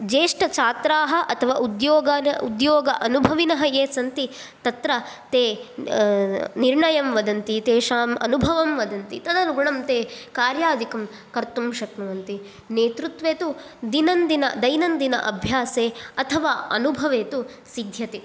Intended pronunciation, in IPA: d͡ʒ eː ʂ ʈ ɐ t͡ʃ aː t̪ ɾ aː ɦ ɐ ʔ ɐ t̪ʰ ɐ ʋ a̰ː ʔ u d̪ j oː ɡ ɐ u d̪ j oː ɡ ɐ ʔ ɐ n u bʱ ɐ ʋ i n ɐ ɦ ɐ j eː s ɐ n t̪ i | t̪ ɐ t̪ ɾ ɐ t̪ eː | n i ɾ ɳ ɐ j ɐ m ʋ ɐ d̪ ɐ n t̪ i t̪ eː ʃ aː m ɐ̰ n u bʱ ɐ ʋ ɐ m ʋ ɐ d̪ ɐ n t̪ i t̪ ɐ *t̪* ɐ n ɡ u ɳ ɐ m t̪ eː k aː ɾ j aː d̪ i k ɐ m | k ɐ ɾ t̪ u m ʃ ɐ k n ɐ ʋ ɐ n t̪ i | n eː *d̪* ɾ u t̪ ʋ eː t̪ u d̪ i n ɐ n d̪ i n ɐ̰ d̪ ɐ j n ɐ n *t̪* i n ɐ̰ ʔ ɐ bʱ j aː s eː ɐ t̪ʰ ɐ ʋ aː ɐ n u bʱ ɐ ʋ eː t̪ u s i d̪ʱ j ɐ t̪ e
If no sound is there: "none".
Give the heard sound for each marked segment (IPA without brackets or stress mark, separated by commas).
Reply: d̪, t̪, d̪